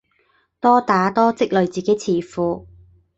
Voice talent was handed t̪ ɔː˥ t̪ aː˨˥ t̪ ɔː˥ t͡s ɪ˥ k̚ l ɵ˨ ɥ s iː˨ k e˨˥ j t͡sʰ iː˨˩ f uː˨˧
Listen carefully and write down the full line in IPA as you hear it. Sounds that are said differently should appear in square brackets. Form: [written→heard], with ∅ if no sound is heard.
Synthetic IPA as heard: t̪ ɔː˥ t̪ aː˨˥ t̪ ɔː˥ t͡s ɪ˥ k̚ l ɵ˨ ɥ [s→t͡s] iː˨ k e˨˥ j t͡sʰ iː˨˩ f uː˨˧